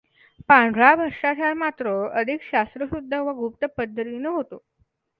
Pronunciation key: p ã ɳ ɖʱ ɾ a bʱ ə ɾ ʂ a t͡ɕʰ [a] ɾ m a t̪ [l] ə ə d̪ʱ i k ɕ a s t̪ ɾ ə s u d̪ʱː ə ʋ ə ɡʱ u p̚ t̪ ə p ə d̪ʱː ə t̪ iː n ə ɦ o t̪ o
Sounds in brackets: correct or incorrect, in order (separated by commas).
correct, incorrect